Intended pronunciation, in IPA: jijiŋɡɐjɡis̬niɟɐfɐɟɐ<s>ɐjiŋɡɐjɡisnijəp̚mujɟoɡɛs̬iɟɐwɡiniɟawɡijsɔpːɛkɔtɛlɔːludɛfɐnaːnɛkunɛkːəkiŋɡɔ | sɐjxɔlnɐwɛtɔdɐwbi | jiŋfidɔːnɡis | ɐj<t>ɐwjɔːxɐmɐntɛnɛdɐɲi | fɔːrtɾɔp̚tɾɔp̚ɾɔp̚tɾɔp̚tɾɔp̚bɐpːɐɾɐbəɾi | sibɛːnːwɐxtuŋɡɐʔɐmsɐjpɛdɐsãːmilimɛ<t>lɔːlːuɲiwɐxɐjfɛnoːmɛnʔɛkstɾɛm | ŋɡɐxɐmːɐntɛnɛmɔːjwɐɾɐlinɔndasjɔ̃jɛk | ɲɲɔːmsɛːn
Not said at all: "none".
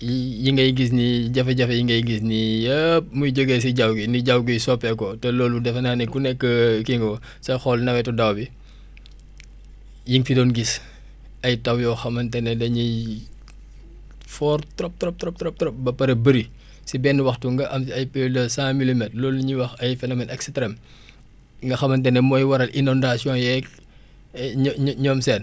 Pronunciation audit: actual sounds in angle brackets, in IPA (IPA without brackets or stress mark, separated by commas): f, t, t